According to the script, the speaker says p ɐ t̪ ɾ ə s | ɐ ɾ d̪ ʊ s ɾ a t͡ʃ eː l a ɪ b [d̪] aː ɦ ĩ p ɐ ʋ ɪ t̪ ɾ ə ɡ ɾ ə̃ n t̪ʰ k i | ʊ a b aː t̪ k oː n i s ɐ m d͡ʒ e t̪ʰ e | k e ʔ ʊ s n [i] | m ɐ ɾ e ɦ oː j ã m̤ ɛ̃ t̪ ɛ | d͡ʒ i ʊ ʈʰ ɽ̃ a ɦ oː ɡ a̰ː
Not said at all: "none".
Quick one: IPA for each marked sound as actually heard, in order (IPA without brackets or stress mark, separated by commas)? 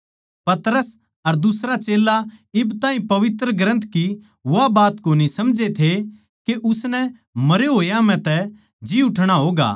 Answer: t̪, ɛ